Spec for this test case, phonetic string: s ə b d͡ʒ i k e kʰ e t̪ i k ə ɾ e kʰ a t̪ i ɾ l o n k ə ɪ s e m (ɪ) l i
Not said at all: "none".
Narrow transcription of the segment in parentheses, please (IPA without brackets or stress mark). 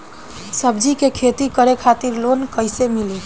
i